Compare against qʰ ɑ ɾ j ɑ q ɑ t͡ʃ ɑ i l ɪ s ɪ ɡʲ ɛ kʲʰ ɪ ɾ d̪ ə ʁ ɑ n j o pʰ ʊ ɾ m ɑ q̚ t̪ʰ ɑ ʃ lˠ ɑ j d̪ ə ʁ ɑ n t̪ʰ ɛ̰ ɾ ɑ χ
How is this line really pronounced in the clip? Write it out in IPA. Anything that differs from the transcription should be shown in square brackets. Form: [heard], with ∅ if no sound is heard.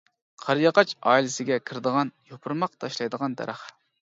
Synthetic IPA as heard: qʰ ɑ ɾ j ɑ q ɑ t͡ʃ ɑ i l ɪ s ɪ ɡʲ ɛ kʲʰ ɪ ɾ d̪ ə ʁ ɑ n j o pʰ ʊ ɾ m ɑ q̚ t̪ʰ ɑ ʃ lˠ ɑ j d̪ ə ʁ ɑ n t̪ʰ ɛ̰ ɾ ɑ χ